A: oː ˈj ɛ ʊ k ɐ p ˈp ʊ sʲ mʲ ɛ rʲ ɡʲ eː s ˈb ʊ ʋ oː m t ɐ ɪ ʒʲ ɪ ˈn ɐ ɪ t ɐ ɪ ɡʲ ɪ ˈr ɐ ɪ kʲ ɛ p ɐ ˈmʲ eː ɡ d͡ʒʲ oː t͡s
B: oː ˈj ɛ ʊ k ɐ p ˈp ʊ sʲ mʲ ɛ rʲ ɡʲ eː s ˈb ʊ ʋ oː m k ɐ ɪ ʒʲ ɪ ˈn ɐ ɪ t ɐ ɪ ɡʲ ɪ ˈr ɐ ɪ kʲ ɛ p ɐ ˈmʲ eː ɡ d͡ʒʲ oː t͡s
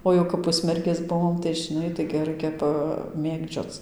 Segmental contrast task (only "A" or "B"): A